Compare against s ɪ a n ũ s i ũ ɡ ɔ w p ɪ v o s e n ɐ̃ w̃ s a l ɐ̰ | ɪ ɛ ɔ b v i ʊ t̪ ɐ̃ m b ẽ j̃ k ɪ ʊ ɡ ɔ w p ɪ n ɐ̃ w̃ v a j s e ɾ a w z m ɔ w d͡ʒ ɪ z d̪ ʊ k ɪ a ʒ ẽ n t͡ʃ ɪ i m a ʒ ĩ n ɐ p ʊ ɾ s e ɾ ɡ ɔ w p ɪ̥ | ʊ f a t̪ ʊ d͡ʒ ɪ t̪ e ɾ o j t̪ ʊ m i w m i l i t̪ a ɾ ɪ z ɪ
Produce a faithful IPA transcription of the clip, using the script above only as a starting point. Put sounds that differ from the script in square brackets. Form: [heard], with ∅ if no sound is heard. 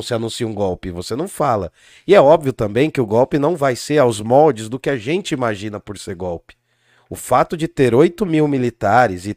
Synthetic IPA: s ɪ a n ũ s i ũ ɡ ɔ w p ɪ v o s e n ɐ̃ w̃ [f] a l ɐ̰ | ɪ ɛ ɔ b v i ʊ t̪ ɐ̃ m b ẽ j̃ k ɪ ʊ ɡ ɔ w p ɪ n ɐ̃ w̃ v a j s e ɾ a w z m ɔ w d͡ʒ ɪ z d̪ ʊ k ɪ a ʒ ẽ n t͡ʃ ɪ i m a ʒ ĩ n ɐ p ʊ ɾ s e ɾ ɡ ɔ w p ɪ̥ | ʊ f a t̪ ʊ d͡ʒ ɪ t̪ e ɾ o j t̪ ʊ m i w m i l i t̪ a ɾ ɪ z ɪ